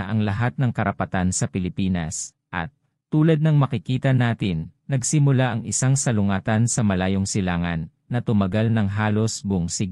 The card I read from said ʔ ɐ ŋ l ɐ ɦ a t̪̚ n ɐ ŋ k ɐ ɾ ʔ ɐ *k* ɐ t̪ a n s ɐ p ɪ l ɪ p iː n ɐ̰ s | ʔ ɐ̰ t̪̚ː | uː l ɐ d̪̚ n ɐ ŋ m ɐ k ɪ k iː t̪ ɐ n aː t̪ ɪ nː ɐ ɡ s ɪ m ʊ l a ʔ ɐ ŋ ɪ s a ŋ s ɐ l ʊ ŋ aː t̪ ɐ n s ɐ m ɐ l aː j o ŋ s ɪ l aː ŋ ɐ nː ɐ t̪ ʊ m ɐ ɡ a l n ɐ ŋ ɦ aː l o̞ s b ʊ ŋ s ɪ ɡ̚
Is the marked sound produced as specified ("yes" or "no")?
no